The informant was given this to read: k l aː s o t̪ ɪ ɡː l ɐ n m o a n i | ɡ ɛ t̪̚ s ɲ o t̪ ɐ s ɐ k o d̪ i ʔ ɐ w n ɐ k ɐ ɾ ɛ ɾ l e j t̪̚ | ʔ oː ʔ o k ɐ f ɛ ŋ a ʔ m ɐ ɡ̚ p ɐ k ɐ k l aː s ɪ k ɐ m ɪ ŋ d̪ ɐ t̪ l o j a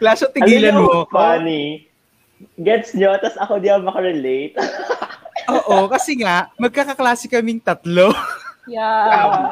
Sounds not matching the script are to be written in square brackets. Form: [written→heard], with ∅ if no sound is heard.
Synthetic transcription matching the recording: k l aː s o t̪ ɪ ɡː l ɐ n m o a n i | ɡ ɛ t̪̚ s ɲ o t̪ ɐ s ɐ k o d̪ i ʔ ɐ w [n→m] ɐ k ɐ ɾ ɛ [ɾ→∅] l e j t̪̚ | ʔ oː ʔ o k ɐ [f→s] ɛ ŋ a ʔ m ɐ ɡ̚ [p→k] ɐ k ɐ k l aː s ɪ k ɐ m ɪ ŋ [d̪→t̪] ɐ t̪ l o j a